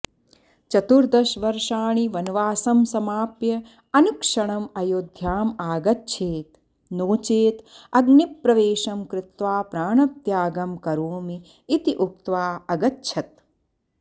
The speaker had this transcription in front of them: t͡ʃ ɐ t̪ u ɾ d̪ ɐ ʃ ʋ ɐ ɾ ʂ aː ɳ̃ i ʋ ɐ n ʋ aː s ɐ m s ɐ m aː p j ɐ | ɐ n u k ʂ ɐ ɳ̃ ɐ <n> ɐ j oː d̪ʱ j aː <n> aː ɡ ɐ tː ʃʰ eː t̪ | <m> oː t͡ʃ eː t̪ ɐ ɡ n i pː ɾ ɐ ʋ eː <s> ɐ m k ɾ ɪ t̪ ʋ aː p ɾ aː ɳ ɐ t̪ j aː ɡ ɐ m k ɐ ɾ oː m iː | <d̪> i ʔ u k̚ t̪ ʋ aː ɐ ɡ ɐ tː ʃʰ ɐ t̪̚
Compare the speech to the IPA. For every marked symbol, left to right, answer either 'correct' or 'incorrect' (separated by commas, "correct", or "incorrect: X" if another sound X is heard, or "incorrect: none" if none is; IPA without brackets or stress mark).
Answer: incorrect: m, incorrect: m, incorrect: n, incorrect: ʃ, incorrect: t̪